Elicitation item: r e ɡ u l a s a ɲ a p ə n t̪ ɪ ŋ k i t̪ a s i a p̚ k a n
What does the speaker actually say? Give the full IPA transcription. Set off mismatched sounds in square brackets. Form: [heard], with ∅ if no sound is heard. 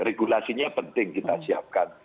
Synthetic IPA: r e ɡ u l a s [i] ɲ a p ə n t̪ ɪ ŋ k i t̪ a s i a p̚ k a n